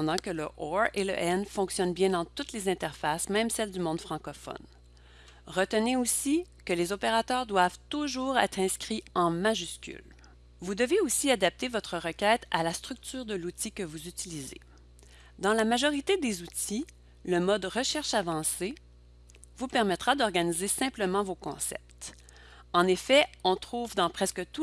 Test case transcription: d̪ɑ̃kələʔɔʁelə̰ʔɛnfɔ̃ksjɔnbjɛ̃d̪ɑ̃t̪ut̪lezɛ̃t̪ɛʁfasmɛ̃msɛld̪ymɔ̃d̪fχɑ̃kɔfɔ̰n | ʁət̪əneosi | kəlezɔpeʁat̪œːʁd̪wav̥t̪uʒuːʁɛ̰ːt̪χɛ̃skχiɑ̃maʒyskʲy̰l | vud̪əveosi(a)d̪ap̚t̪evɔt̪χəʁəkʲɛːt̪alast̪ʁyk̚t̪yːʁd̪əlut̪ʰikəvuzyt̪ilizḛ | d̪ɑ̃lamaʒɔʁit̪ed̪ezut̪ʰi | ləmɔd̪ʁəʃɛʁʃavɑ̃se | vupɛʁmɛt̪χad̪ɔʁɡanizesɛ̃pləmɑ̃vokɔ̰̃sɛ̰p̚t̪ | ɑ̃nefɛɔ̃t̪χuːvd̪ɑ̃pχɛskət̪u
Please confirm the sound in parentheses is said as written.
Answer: yes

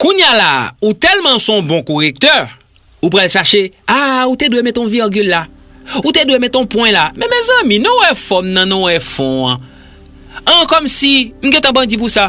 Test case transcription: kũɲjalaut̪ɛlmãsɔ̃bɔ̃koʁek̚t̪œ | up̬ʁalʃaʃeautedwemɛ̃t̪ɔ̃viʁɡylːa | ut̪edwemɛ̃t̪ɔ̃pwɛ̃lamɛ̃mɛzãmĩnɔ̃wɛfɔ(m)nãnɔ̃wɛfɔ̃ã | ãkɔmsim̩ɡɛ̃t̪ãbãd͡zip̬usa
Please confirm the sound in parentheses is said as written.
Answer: yes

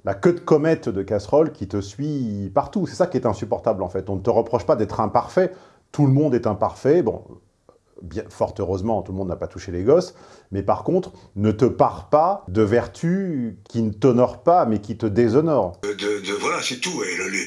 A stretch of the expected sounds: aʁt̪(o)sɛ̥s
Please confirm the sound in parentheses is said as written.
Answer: no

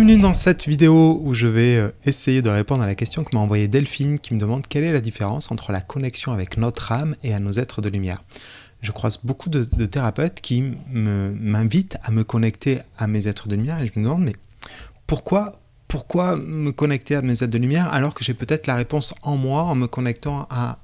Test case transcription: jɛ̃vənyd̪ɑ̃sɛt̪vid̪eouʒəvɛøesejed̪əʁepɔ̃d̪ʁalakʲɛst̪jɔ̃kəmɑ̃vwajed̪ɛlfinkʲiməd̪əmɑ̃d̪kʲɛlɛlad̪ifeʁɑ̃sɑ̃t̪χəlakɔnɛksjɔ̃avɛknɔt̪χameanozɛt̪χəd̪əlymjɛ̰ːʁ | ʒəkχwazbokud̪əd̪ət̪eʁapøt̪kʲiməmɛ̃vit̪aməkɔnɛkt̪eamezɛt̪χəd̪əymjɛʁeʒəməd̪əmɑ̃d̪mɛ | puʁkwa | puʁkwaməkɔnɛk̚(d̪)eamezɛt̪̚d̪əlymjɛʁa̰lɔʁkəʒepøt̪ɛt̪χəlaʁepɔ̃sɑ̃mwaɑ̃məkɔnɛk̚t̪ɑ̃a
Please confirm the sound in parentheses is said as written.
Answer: no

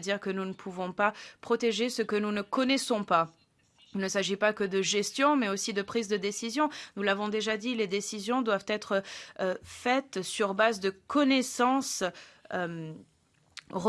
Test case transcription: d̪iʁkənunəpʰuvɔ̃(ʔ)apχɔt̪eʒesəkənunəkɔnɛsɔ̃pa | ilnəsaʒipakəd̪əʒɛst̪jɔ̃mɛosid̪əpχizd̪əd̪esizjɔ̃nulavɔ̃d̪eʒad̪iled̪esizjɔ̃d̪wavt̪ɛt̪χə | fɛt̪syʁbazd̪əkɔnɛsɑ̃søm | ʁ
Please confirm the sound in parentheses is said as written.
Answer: no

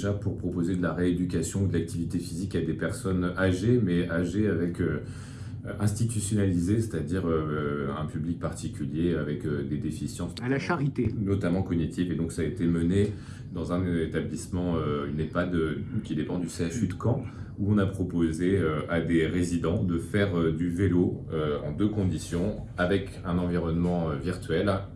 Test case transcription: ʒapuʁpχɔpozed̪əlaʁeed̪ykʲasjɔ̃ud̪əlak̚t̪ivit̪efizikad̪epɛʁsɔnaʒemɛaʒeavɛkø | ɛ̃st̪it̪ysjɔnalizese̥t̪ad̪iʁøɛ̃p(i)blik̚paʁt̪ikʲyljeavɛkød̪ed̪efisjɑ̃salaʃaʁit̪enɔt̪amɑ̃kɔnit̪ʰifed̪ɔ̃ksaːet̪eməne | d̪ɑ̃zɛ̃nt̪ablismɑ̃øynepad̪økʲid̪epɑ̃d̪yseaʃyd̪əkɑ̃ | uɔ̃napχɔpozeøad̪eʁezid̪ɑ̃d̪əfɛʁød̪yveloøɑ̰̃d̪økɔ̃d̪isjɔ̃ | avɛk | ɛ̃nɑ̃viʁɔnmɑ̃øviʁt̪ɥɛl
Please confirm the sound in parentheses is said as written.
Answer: no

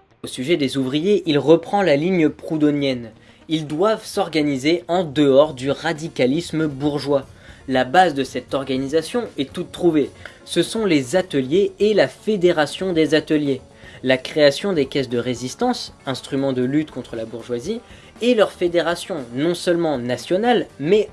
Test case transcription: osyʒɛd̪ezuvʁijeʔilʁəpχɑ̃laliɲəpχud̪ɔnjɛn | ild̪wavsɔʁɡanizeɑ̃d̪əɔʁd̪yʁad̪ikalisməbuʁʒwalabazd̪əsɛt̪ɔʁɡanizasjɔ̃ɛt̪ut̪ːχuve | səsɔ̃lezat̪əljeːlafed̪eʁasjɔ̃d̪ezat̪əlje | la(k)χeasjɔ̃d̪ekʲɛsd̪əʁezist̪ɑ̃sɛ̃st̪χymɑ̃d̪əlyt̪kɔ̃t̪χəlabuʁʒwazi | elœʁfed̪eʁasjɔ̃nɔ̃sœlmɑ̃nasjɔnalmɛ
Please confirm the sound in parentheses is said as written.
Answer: yes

